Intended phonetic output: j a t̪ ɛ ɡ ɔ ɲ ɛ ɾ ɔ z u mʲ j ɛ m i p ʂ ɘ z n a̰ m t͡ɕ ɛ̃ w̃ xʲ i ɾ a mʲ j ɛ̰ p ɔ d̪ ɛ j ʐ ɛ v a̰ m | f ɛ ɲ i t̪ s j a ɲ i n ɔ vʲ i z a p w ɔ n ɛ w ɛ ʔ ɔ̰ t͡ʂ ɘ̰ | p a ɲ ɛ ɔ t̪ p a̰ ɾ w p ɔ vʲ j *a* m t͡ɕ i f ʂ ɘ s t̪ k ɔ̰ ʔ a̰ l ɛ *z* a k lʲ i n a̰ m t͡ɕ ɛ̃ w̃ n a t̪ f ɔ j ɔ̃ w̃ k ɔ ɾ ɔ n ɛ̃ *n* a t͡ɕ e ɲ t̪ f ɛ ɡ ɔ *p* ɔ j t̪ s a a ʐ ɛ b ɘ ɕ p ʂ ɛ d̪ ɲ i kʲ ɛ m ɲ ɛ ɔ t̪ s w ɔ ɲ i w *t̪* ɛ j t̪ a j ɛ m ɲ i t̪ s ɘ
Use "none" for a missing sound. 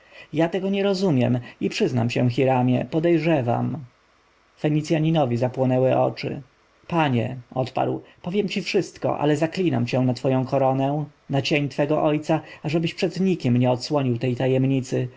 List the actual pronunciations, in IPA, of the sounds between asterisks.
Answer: ɛ, z, n, ʔ, t̪

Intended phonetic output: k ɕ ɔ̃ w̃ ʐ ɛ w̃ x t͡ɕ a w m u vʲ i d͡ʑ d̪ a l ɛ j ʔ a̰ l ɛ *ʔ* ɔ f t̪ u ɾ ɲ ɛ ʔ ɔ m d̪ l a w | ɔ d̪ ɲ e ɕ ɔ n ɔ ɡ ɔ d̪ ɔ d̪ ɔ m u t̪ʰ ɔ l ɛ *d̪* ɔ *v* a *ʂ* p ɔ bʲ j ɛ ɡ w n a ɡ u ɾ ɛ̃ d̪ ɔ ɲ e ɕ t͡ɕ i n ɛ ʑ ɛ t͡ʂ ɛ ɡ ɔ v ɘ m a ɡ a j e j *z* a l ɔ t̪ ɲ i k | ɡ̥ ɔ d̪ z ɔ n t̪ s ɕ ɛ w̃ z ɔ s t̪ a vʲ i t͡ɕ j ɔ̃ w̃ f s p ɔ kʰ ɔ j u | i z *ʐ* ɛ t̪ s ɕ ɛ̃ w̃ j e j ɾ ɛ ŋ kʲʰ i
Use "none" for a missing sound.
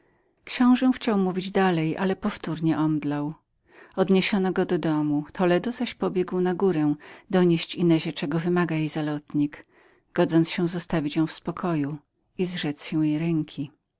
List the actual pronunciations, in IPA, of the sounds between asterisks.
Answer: p, d̪, z, ɕ, z, ʐ

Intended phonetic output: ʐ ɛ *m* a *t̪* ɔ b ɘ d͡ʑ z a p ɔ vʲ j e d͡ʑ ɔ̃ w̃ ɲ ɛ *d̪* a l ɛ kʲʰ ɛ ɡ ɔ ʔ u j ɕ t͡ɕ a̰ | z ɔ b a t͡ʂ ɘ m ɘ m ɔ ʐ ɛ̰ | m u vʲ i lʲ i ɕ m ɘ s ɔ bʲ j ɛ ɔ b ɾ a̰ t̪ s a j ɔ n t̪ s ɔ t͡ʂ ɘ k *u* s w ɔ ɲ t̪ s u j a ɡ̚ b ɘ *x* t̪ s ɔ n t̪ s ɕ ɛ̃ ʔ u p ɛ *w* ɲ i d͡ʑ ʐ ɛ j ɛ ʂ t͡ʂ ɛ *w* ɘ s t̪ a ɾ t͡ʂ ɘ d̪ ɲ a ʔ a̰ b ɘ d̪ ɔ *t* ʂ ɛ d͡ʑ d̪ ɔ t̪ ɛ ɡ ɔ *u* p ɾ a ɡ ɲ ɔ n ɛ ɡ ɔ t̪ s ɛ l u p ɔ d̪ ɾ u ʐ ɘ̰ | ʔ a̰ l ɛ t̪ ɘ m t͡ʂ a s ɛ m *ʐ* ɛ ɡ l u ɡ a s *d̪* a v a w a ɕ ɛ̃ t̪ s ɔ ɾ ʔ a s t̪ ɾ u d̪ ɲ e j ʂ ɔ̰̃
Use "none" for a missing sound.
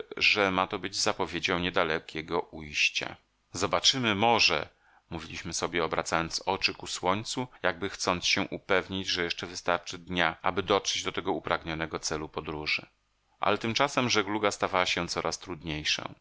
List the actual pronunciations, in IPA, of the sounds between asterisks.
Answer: m, t̪, d̪, u, x, v, v, t, u, ʐ, t̪

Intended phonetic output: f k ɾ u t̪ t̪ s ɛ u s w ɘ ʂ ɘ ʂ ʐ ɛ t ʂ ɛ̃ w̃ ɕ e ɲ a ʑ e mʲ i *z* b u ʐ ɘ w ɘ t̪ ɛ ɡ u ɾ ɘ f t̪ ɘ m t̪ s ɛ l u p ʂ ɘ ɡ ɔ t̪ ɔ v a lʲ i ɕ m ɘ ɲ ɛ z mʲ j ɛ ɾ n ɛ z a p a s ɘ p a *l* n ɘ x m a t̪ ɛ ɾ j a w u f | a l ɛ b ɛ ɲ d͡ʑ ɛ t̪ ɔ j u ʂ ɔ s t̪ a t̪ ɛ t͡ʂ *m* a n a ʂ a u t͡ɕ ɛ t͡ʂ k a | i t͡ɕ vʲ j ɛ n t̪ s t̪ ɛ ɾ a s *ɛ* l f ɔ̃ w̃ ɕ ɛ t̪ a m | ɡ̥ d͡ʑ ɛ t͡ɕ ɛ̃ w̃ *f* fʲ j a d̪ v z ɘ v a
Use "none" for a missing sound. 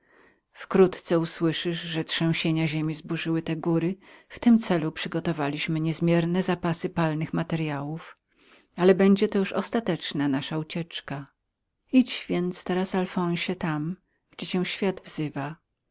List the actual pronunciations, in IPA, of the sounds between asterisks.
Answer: z, l, n, a, ɕ

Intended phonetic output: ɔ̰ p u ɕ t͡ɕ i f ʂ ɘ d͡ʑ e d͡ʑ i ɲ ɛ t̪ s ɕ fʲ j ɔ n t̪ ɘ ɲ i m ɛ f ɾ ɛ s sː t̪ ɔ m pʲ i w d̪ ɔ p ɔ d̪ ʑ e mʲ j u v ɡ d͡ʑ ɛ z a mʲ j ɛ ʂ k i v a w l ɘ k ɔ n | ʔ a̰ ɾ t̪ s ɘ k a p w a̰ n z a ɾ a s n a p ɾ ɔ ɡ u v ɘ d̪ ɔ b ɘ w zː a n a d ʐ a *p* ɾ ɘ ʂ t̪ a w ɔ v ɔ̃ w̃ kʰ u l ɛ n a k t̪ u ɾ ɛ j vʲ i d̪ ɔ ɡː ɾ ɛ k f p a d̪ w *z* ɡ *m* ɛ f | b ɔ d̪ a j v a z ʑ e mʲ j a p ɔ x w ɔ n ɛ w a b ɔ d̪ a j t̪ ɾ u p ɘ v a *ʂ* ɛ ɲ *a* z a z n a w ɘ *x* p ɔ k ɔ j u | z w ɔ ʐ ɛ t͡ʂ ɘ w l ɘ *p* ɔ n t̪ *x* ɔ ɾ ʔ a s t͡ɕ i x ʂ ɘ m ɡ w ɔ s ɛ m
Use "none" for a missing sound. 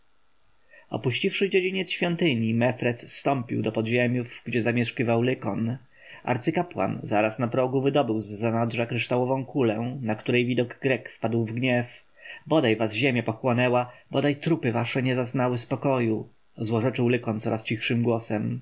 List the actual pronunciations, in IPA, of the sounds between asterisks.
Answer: k, v, ɲ, ʂ, ɛ, s, k, s

